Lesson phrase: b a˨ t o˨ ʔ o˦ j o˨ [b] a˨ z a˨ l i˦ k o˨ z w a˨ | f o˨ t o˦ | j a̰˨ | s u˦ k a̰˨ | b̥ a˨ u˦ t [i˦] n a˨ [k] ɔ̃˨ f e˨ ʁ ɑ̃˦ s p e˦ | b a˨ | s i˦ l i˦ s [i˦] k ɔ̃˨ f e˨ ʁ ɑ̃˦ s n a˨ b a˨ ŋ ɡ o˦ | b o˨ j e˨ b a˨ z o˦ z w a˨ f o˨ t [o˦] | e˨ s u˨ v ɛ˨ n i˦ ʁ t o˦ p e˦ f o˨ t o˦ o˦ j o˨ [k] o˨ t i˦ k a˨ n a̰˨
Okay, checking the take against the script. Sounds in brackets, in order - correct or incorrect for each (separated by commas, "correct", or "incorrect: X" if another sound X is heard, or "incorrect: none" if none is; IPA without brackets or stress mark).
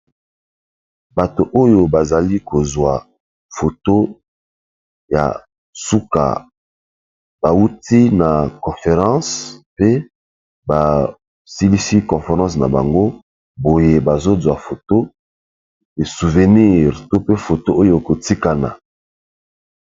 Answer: correct, correct, correct, correct, correct, correct